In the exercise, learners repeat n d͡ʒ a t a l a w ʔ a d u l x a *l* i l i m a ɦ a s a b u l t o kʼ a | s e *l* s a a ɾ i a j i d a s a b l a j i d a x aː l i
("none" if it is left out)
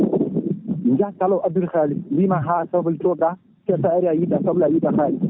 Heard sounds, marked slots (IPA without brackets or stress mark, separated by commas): l, none